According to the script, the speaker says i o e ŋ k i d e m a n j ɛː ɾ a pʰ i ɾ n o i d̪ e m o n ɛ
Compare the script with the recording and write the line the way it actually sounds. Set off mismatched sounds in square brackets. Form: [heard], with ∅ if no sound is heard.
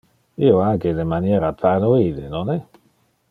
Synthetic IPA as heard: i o [a] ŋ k [e] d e m a n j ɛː ɾ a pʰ [a] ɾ n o i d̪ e [n] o n ɛ